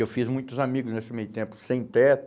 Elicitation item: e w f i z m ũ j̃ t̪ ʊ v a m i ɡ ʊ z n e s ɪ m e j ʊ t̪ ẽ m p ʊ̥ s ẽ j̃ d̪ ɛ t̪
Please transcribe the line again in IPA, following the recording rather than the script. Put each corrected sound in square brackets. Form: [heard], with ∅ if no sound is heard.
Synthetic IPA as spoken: e w f i z m ũ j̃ t̪ ʊ [z] a m i ɡ ʊ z n e s ɪ m e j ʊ t̪ ẽ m p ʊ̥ s ẽ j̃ [t̪] ɛ t̪